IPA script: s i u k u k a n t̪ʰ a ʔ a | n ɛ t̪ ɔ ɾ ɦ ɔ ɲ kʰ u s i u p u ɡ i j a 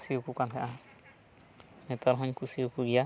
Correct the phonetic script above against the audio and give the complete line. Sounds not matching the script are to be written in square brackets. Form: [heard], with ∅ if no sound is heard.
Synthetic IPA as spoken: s i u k u k a n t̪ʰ a ʔ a | n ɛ t̪ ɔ ɾ ɦ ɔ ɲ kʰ u s i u [k] u ɡ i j a